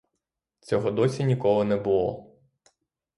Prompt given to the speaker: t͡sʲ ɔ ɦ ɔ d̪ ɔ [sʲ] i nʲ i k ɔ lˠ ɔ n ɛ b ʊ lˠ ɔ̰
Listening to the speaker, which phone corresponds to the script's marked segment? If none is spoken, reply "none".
sʲ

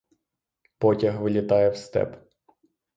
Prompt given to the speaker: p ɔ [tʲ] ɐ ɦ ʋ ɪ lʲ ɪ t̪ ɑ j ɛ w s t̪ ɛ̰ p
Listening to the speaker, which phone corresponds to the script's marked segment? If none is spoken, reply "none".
tʲ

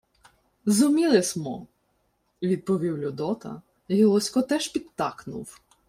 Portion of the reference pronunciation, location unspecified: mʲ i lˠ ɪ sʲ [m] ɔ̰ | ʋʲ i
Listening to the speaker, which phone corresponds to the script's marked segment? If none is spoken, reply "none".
m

